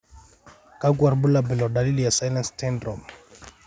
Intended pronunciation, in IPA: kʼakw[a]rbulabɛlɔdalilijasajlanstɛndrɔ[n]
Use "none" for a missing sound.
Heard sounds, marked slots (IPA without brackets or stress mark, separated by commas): a, m